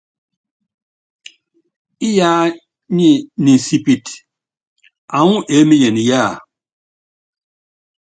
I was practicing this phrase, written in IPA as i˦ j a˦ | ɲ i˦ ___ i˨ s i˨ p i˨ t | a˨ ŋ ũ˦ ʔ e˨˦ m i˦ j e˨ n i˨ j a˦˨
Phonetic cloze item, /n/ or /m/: n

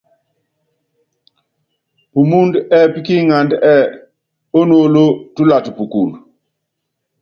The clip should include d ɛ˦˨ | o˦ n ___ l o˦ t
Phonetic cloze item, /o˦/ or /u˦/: o˦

